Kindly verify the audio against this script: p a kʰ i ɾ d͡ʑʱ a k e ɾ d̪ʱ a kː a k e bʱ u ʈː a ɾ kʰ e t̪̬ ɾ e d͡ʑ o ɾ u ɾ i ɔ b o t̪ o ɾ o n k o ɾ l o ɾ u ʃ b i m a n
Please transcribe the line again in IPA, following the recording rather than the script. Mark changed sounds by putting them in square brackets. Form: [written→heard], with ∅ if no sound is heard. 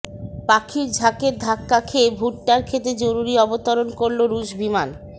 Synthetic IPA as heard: p a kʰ i ɾ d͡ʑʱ a k e ɾ d̪ʱ a kː a [k→kʰ] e bʱ u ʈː a ɾ kʰ e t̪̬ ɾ e d͡ʑ o ɾ u ɾ i ɔ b o t̪ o ɾ o n k o ɾ l o ɾ u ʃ b i m a n